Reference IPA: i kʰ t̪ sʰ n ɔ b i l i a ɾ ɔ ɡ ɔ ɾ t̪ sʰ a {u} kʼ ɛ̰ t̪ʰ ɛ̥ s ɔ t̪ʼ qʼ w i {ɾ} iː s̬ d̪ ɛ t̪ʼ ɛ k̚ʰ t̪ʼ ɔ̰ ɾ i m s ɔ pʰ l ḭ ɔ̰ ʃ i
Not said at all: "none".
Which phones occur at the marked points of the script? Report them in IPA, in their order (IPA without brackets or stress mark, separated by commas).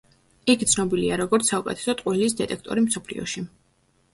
u, l